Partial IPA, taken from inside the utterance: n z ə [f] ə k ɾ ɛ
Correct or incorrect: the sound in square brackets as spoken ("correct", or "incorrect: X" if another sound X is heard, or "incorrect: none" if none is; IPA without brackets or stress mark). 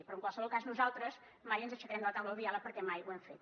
incorrect: ʃ